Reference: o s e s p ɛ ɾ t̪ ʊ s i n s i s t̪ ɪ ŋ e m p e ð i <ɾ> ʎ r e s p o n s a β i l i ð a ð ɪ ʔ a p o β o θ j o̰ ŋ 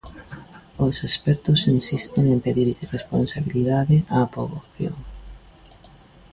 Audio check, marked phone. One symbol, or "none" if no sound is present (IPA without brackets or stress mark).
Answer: ɾ